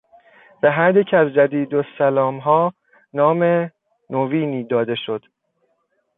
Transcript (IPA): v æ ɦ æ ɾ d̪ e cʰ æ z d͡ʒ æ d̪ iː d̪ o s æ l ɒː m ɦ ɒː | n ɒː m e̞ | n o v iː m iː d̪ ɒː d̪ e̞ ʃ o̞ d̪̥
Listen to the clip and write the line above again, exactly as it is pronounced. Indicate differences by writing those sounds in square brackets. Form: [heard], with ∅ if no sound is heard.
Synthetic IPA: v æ ɦ æ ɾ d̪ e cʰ æ z d͡ʒ æ d̪ iː d̪ o s æ l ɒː m ɦ ɒː | n ɒː m e̞ | n o v iː [n] iː d̪ ɒː d̪ e̞ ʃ o̞ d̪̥